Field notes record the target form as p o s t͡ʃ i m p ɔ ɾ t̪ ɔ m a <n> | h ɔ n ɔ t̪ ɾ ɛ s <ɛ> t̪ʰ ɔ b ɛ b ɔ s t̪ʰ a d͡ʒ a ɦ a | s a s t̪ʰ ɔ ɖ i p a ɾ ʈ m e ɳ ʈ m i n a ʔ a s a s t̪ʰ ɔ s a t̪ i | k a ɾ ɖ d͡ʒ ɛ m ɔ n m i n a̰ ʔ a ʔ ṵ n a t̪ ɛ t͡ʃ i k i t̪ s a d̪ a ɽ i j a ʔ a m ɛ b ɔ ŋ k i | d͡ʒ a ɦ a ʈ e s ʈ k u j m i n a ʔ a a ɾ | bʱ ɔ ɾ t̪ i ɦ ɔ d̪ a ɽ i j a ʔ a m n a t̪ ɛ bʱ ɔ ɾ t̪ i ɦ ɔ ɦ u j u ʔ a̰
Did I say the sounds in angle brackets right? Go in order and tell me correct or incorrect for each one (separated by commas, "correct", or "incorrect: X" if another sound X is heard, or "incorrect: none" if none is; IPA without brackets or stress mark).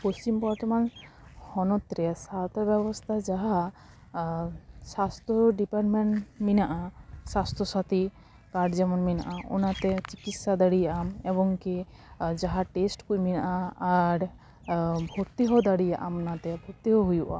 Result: correct, incorrect: a